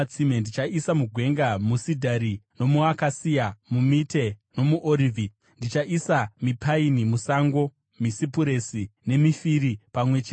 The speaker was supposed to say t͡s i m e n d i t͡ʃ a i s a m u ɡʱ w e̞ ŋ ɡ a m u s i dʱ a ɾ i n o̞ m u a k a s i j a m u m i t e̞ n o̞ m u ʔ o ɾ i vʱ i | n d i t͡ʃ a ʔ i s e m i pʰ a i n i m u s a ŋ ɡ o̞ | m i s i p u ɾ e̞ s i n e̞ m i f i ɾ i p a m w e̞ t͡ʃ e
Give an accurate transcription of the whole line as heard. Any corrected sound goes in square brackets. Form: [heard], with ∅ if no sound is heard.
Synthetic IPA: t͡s i m e n d i t͡ʃ a i s a m u ɡʱ w e̞ ŋ ɡ a m u s i dʱ a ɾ i n o̞ m u a k a s i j a m u m i t e̞ n o̞ m u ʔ o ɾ i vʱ i | n d i t͡ʃ a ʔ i s [a] m i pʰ a i n i m u s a ŋ ɡ o̞ | m i s i p u ɾ e̞ s i n e̞ m i f i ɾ i p a m w e̞ t͡ʃ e